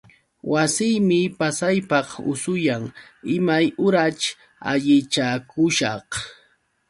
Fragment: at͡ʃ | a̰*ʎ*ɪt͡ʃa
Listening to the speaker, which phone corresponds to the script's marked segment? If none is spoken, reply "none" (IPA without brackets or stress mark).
ʎ